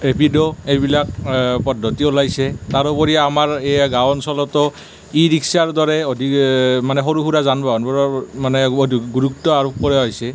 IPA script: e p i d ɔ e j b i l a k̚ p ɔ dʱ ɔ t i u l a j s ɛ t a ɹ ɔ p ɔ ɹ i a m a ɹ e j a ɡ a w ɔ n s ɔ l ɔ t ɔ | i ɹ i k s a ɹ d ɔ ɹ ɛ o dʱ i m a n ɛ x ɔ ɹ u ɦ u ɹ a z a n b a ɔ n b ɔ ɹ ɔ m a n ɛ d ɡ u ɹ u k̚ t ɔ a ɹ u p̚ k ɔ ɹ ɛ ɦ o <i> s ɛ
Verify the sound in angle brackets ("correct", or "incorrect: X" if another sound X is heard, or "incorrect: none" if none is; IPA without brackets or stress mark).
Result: incorrect: j